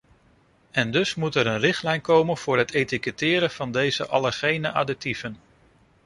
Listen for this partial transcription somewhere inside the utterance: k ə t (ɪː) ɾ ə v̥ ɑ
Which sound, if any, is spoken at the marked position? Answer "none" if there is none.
ɪː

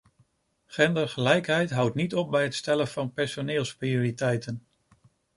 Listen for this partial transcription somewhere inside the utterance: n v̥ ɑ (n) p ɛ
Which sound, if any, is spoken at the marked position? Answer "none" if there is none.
n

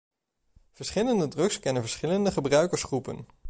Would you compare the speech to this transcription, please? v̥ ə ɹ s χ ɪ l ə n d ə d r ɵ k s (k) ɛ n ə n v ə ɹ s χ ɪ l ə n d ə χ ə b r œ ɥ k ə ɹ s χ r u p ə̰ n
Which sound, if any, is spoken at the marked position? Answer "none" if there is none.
k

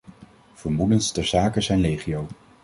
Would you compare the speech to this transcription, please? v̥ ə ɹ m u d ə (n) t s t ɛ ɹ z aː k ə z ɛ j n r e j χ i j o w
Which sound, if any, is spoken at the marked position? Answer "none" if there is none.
n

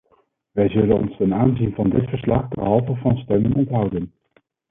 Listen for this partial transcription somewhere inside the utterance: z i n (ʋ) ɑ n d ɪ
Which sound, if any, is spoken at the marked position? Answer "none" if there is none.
v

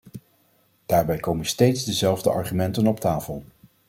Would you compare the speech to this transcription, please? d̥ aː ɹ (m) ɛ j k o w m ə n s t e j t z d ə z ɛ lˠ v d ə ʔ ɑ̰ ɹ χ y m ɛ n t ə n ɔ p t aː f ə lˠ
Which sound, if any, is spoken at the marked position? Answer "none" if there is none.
b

